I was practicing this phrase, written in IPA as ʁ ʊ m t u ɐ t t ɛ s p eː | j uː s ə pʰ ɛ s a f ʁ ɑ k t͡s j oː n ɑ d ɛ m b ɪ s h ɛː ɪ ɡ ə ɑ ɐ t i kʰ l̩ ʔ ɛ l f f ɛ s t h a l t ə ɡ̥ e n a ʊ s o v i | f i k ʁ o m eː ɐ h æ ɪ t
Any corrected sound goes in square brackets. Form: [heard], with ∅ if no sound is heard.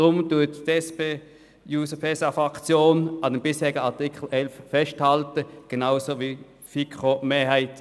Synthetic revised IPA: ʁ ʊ m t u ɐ t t ɛ s p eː | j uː s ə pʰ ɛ s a f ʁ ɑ k t͡s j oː n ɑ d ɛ m b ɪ s h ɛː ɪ ɡ ə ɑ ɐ t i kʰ l̩ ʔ ɛ l f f ɛ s t h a l t ə ɡ̥ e n a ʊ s o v i | f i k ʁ o m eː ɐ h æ ɪ t